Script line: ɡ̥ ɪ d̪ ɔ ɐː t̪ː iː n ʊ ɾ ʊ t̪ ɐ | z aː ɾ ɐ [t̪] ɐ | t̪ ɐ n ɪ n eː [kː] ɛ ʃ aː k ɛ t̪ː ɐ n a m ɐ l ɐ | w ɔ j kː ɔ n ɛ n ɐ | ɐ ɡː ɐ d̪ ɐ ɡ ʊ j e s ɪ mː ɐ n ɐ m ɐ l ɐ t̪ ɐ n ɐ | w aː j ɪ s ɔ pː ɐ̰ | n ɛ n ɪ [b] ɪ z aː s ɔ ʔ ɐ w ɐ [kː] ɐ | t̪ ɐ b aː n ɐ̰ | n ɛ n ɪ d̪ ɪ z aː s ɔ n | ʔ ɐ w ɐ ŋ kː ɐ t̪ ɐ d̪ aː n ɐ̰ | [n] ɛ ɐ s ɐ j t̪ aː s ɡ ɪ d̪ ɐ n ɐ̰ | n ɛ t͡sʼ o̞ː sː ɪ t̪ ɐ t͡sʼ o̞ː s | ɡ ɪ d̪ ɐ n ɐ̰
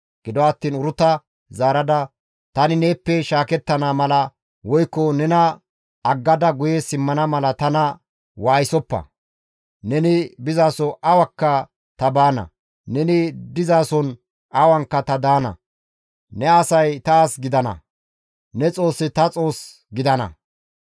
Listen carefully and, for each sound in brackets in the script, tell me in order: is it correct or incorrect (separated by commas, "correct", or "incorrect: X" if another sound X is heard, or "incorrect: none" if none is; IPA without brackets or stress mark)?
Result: incorrect: d̪, incorrect: pː, correct, correct, correct